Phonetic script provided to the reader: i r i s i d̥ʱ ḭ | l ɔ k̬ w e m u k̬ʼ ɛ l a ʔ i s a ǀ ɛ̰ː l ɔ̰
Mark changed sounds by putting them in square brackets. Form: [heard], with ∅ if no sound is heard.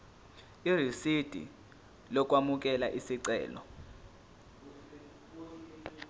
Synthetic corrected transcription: i r i s i d̥ʱ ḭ | l ɔ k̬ w [a] m u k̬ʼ ɛ l a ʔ i s [i] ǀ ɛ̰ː l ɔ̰